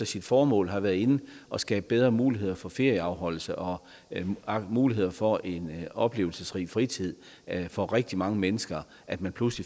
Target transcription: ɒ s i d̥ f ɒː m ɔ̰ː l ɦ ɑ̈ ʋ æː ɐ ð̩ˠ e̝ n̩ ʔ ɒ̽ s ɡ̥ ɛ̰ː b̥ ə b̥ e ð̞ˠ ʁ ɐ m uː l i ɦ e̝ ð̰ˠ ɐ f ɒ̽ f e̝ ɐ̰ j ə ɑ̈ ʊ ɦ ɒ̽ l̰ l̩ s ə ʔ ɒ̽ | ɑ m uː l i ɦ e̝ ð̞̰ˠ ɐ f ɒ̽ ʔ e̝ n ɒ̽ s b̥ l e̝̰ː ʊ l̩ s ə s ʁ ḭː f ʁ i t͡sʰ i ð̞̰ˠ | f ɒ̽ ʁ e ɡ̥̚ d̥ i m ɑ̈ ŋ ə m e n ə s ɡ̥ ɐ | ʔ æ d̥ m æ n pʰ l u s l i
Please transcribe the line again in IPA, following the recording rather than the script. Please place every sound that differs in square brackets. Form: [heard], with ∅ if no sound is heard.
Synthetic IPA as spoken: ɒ s i d̥ f ɒː m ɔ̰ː l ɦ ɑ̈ ʋ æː ɐ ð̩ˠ e̝ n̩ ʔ ɒ̽ s ɡ̥ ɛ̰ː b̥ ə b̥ e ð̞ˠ ʁ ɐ m uː l i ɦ e̝ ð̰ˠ ɐ f ɒ̽ f e̝ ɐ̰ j ə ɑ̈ ʊ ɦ ɒ̽ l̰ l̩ s ə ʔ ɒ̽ | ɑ m uː l i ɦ e̝ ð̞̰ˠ ɐ f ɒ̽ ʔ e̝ n ɒ̽ [∅] b̥ l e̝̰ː ʊ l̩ s ə s ʁ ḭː f ʁ i t͡sʰ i ð̞̰ˠ | f ɒ̽ ʁ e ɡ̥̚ d̥ i m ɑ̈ ŋ ə m e n ə s ɡ̥ ɐ | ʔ æ d̥ m æ n pʰ l u s l i